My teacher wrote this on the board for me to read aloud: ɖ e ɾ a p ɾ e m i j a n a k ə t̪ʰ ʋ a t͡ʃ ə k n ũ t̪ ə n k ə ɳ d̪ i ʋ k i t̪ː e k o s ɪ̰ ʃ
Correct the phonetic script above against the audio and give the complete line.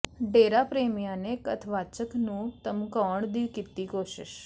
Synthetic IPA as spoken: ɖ e ɾ a p ɾ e m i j a n e k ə t̪ʰ ʋ a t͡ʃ ə k n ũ t̪ ə m k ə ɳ d̪ i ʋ k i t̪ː i k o ʃ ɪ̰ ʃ